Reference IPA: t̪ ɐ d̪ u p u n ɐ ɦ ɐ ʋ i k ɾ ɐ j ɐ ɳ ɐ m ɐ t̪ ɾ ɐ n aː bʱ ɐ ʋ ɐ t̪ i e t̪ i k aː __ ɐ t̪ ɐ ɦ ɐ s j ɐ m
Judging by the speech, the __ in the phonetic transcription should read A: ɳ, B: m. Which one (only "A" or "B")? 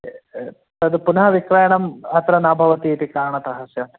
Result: A